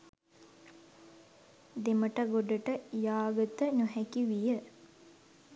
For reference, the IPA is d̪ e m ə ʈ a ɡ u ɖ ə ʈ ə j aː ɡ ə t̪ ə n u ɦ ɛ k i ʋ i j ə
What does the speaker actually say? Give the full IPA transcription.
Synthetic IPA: d̪ e m ə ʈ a ɡ o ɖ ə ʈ ə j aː ɡ ə t̪ ə n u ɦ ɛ k i ʋ i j ə